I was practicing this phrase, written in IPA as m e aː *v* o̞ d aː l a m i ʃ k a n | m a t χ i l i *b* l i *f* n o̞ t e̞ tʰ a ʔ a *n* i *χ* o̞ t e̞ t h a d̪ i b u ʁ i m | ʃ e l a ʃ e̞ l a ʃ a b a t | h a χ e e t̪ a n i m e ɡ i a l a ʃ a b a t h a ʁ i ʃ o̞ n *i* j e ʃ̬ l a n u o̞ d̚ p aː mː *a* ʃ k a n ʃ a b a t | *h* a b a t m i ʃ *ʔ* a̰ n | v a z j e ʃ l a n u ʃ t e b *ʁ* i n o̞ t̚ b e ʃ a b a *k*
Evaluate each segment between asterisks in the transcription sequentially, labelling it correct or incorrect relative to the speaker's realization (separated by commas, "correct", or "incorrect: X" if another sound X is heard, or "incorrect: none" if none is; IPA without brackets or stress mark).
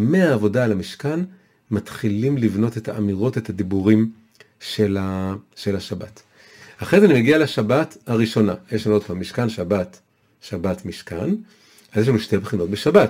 correct, incorrect: m, incorrect: v, incorrect: m, incorrect: ʁ, incorrect: a, incorrect: i, incorrect: ʃ, incorrect: k, incorrect: χ, incorrect: t